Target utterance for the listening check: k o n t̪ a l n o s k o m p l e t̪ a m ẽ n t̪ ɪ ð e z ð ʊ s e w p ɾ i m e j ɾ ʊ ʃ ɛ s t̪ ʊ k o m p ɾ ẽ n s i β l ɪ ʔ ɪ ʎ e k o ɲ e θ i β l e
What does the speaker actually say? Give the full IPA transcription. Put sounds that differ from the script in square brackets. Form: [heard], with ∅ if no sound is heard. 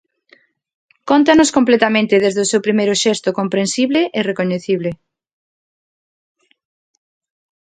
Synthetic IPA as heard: k o n t̪ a [∅] n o s k o m p l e t̪ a m ẽ n t̪ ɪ ð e z ð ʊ s e w p ɾ i m e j ɾ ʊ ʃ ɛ s t̪ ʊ k o m p ɾ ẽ n s i β l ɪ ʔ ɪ [r] e k o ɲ e θ i β l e